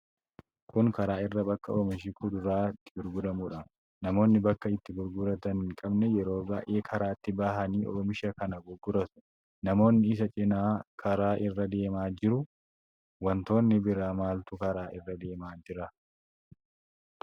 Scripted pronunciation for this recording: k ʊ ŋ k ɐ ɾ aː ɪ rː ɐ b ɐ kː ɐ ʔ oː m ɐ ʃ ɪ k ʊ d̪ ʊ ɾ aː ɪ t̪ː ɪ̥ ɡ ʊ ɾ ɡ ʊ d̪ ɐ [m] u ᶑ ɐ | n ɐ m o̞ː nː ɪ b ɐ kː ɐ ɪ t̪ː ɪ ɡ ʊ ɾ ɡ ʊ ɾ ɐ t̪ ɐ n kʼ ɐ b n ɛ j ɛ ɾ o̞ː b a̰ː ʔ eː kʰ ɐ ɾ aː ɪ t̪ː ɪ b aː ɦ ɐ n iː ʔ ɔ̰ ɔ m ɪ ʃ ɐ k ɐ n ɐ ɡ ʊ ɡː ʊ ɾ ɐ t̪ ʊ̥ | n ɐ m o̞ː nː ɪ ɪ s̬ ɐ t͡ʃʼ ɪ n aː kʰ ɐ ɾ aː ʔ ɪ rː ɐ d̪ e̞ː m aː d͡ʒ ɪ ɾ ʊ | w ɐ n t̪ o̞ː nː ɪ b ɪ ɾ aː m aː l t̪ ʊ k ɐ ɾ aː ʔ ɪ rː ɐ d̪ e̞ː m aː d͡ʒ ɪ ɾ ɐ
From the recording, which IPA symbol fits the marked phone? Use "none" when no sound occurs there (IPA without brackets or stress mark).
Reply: m